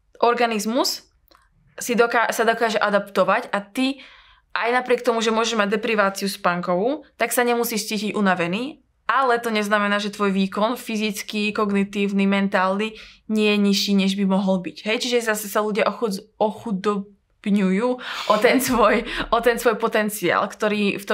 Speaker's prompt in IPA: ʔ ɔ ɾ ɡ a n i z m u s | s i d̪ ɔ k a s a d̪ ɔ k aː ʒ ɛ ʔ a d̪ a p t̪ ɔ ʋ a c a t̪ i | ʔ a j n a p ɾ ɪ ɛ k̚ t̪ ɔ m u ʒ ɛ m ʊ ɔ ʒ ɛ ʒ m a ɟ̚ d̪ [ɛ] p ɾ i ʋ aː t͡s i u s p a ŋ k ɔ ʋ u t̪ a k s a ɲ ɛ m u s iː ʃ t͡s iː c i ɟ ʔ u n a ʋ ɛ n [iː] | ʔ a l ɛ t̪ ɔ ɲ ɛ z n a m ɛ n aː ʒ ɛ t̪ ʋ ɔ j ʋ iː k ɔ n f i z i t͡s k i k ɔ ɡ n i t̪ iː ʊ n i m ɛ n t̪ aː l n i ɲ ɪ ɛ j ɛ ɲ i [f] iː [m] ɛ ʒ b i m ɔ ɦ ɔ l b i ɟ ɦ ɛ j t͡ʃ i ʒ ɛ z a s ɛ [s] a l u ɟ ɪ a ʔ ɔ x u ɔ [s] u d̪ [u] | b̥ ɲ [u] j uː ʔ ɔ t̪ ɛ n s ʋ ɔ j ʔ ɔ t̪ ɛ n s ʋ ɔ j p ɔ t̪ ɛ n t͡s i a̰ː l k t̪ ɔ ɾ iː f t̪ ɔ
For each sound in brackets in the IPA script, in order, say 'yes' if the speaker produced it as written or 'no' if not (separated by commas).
yes, yes, no, no, yes, no, no, yes